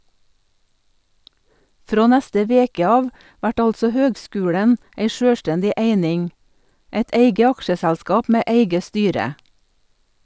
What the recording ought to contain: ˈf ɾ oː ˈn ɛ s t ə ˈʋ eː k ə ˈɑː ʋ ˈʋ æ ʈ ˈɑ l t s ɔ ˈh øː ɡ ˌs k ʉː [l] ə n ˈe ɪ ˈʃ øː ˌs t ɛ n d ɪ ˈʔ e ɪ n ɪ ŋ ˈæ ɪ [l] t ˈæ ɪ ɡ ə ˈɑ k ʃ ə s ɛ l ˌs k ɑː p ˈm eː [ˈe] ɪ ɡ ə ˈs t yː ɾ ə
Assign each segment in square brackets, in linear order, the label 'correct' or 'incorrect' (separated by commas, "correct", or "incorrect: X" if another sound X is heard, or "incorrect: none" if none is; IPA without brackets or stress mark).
incorrect: ɽ, incorrect: none, incorrect: æ